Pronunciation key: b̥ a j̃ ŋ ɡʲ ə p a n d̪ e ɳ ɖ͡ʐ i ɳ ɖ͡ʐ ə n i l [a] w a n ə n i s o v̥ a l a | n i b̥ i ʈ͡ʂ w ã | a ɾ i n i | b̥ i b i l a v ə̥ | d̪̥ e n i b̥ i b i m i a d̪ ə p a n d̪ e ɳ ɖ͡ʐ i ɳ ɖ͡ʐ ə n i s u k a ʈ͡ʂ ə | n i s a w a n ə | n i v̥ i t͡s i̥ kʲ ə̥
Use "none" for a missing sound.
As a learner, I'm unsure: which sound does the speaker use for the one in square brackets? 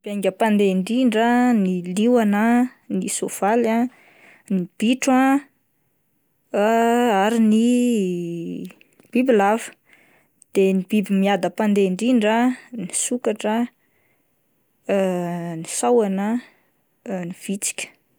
i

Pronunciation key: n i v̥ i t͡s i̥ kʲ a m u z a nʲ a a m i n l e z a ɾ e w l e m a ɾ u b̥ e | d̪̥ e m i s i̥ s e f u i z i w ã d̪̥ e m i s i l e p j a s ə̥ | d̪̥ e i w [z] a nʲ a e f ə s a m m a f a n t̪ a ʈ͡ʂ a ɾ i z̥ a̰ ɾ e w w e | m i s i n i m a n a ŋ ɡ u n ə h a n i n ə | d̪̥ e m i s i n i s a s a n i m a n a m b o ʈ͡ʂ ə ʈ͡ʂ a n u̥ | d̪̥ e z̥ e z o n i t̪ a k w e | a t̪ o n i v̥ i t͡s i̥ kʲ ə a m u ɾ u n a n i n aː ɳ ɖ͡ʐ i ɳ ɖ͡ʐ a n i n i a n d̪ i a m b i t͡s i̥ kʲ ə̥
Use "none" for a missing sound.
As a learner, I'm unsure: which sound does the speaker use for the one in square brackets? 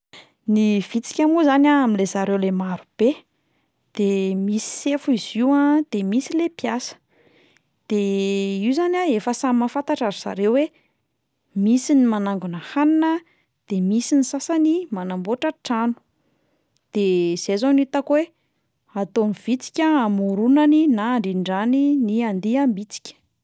z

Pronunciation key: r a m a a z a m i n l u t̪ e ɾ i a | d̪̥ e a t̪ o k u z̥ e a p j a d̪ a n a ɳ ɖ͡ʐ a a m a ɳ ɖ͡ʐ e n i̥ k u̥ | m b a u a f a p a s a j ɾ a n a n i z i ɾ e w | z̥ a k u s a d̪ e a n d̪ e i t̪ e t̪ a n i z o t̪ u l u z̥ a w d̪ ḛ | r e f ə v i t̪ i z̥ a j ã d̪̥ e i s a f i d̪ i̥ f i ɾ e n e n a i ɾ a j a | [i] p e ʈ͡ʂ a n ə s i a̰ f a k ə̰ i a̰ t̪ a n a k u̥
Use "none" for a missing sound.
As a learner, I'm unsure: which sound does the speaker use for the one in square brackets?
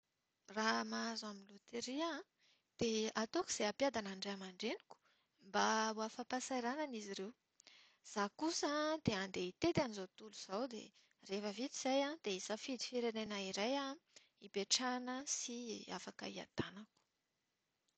i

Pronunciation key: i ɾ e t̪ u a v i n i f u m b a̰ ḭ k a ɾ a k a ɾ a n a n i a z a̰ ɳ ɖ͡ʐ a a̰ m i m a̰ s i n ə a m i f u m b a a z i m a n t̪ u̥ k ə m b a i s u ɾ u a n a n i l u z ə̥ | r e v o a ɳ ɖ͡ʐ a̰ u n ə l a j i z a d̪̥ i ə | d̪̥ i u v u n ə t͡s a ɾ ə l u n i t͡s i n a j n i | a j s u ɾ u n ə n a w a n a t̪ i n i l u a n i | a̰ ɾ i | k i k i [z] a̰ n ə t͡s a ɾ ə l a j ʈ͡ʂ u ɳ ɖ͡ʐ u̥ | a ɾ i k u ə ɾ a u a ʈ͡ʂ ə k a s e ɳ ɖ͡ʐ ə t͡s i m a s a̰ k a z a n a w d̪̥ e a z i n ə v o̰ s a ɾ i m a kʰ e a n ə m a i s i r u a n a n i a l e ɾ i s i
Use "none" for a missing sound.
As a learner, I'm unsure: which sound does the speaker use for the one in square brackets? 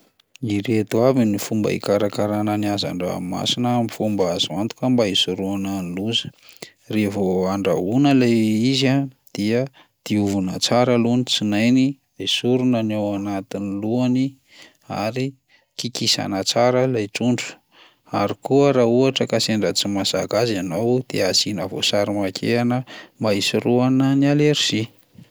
s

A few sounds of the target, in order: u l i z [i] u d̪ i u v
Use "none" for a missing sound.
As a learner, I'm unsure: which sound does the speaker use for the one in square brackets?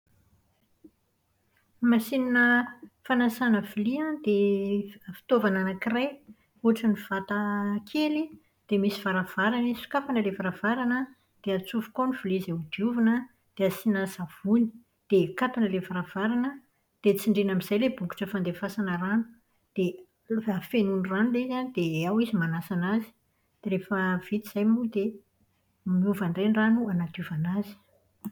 e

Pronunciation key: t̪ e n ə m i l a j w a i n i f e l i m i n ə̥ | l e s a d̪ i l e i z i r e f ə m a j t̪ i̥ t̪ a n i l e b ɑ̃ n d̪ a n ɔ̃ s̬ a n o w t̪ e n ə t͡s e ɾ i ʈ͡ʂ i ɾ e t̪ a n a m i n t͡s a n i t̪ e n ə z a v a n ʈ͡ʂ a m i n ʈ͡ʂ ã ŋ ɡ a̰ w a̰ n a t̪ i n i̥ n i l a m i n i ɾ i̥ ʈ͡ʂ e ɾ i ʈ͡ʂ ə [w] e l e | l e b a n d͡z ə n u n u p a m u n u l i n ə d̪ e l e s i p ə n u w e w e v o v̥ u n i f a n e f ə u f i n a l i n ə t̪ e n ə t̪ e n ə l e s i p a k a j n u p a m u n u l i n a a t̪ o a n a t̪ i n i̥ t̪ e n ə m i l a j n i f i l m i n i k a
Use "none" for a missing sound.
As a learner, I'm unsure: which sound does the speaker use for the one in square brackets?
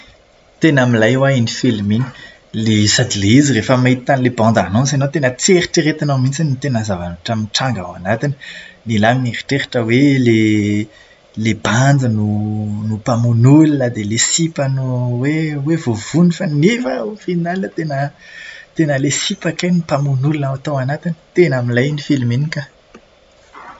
w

